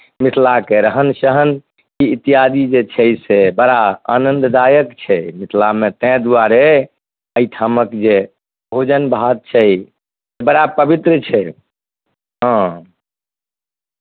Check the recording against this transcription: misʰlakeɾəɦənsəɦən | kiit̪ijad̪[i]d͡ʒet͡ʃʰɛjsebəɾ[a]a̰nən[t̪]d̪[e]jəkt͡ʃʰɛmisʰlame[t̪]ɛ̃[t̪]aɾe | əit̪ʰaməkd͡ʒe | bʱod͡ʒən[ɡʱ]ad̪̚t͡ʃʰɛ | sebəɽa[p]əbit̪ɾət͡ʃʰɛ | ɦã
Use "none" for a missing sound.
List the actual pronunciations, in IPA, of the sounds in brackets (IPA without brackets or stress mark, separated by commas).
i, a, d̪, a, t̪, d̪, bʱ, p